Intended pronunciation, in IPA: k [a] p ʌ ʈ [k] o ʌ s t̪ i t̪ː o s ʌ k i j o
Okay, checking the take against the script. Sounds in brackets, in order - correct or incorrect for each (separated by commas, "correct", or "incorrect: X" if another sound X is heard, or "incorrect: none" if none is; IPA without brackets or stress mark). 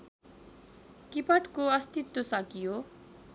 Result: incorrect: i, correct